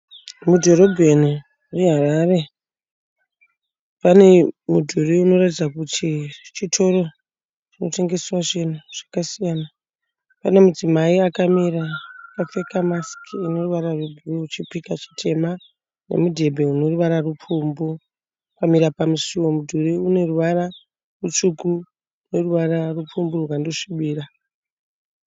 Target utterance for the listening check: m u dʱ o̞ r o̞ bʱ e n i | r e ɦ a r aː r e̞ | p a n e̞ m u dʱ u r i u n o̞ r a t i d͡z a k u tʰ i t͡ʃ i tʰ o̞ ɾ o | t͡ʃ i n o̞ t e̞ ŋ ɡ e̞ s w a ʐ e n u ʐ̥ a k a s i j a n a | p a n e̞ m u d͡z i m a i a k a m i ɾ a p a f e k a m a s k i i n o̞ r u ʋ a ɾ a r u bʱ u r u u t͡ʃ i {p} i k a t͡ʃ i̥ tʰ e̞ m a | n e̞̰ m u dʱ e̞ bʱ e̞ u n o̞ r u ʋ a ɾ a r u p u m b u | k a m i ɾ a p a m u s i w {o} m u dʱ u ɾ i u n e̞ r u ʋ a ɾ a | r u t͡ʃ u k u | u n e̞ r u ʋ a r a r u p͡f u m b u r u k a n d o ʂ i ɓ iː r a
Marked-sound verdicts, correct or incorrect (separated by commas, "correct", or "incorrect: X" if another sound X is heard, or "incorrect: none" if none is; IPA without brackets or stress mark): correct, correct